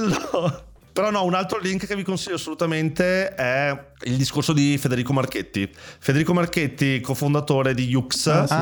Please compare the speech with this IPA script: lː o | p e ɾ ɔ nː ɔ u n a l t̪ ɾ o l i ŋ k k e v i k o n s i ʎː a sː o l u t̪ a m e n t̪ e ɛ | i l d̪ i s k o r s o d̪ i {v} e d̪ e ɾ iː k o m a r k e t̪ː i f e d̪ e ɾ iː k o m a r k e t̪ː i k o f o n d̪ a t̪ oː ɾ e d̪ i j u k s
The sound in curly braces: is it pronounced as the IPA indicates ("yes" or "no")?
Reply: no